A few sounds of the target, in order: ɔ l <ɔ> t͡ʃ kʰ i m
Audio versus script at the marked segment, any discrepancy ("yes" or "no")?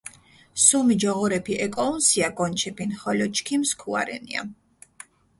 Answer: no